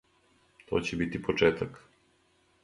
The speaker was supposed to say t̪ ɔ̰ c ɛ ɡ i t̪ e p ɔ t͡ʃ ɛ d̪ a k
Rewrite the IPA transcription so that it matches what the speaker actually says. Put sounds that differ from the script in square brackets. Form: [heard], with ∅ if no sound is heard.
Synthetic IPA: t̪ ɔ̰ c ɛ [b] i t̪ [i] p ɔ t͡ʃ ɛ [t̪] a k